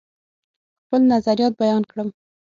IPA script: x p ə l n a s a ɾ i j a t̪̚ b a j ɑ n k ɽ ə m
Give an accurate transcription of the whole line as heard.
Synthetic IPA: x p ə l n a z a ɾ i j ɑ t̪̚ b a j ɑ n k ɽ ə m